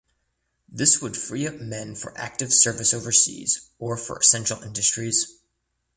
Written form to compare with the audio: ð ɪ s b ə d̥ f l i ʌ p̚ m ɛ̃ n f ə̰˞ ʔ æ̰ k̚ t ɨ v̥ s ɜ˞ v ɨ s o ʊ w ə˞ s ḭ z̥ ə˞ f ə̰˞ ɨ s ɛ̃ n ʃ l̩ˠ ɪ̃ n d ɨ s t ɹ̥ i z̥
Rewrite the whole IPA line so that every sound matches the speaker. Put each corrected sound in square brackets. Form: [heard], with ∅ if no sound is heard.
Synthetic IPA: ð ɪ s [w] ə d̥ f [ɹ] i ʌ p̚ m ɛ̃ n f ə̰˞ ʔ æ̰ k̚ t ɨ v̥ s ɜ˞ v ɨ s o ʊ [v] ə˞ s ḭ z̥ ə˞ f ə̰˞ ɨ s ɛ̃ n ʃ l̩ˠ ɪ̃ n d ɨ s t ɹ̥ i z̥